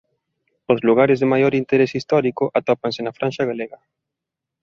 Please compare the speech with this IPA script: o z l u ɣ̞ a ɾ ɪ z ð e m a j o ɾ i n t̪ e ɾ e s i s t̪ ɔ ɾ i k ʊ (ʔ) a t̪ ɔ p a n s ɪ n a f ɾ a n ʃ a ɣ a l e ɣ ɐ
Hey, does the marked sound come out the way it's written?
yes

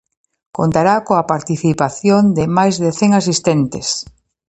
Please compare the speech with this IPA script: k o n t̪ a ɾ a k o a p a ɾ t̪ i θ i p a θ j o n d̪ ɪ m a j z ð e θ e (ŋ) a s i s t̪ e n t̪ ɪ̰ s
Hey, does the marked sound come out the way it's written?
yes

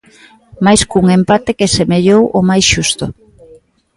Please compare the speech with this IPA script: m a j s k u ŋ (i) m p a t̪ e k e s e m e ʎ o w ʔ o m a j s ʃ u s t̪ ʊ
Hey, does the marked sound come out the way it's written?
no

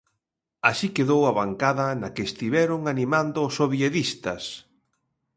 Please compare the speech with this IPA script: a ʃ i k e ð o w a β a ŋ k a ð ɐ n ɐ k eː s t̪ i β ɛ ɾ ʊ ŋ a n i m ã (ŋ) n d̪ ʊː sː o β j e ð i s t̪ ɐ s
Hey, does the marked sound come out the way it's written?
no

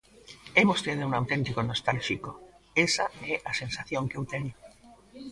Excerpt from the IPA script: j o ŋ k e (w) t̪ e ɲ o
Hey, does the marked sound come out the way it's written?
yes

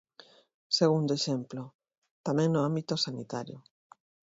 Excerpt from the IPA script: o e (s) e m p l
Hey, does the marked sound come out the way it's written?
no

